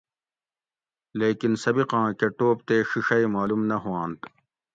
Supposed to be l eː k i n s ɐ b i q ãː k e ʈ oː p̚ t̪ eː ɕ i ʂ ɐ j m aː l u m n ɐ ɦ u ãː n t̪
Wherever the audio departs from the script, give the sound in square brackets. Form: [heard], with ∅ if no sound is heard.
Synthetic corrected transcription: l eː k i n s ɐ b i q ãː k e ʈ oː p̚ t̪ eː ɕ i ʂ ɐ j m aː l u m n ɐ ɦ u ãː n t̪